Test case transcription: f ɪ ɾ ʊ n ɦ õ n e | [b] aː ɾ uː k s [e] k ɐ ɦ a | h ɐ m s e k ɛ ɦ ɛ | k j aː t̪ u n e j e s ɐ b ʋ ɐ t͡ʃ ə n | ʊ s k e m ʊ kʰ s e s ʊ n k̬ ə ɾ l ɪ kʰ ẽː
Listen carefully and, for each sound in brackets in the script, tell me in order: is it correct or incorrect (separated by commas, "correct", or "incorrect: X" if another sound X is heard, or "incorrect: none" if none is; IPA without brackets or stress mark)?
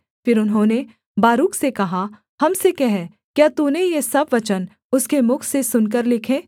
correct, correct